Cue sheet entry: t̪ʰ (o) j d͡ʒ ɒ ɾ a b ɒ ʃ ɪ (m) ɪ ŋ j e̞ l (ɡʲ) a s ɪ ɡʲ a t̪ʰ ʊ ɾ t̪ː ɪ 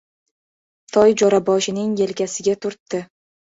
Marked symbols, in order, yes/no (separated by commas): no, no, no